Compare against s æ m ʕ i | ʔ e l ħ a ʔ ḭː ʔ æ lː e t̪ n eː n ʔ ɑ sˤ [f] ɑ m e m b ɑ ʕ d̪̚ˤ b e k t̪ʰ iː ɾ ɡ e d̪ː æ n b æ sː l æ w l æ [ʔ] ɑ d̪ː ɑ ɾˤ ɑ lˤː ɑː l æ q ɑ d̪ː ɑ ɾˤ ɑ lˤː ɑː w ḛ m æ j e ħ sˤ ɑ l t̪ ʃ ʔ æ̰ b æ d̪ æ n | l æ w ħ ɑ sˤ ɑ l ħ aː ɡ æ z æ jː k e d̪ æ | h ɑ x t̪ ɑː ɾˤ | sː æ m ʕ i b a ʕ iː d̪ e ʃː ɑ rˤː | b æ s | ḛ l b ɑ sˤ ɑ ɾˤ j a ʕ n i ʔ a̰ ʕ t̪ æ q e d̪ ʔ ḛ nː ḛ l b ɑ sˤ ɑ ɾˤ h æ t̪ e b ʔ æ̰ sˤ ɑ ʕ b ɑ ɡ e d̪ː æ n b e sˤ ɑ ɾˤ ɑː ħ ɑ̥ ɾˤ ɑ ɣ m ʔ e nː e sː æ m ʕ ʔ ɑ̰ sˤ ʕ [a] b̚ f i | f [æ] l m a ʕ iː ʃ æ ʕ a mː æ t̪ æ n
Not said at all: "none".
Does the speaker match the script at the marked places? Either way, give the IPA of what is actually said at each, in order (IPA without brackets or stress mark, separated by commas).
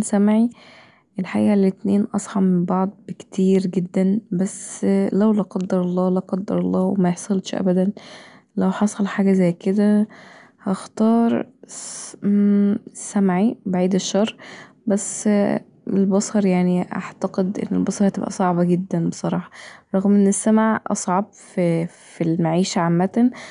ħ, q, ɑ, i